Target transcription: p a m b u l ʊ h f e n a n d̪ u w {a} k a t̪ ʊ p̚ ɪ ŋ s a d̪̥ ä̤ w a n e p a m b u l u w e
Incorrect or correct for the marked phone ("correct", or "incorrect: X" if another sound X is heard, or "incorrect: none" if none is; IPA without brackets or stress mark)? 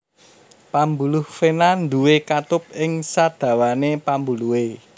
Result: incorrect: e